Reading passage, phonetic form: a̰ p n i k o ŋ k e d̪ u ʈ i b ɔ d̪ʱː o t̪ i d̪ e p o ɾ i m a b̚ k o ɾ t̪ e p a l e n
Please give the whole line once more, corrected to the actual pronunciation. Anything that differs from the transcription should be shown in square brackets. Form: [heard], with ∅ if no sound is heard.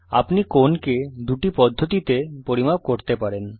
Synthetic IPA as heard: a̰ p n i k o [n] k e d̪ u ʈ i [p] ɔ d̪ʱː o t̪ i [t̪] e p o ɾ i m a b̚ k o ɾ t̪ e p a [ɾ] e n